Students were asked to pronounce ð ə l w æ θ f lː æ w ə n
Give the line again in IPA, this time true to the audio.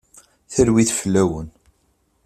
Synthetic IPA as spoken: θ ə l w i θ f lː æ w ə n